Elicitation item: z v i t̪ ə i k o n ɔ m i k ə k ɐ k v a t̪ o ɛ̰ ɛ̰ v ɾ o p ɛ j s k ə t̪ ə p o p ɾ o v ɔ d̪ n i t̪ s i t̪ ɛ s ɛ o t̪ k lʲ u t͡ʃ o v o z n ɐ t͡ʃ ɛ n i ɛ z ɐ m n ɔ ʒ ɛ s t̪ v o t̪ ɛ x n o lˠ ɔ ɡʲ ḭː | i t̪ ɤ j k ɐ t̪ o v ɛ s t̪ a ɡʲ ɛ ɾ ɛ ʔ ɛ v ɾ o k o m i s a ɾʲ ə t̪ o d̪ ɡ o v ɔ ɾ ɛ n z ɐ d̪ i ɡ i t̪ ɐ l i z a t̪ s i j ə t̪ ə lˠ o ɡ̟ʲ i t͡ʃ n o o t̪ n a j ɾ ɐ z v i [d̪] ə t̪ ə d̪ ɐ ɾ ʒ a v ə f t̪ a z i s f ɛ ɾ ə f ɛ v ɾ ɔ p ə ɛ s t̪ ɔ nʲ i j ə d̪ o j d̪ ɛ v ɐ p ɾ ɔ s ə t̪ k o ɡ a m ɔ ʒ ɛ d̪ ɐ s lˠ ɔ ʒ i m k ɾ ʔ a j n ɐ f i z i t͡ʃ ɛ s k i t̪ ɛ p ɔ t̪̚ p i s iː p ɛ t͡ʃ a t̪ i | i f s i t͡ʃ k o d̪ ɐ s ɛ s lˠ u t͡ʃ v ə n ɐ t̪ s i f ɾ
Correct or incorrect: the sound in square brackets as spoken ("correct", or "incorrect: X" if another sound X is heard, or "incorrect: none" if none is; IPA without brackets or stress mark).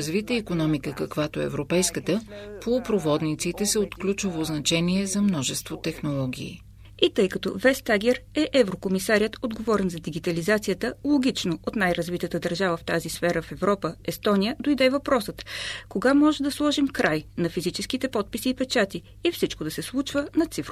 incorrect: t̪